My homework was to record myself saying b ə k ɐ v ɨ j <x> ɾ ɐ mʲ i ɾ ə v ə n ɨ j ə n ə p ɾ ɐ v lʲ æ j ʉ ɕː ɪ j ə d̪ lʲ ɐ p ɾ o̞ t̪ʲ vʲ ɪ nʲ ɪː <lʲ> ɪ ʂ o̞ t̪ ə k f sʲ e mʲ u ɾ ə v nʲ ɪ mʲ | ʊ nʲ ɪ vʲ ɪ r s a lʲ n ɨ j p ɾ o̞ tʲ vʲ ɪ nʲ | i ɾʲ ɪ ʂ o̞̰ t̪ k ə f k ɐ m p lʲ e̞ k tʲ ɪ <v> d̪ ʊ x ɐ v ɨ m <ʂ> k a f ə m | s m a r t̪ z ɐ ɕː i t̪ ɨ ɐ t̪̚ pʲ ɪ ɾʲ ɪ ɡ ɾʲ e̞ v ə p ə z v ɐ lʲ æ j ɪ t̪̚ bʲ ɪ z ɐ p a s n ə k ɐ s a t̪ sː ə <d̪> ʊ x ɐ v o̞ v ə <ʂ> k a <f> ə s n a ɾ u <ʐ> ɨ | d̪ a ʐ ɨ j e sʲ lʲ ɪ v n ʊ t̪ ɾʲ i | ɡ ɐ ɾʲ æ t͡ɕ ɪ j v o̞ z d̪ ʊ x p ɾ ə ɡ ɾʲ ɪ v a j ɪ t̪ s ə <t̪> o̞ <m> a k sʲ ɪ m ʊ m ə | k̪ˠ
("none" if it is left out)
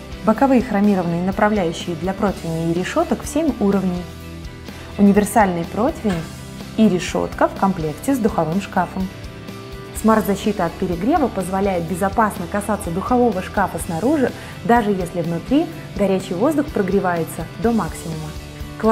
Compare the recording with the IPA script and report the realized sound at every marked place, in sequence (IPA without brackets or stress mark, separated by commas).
x, ɾʲ, z, ʂ, d̪, ʂ, f, ʐ, d̪, m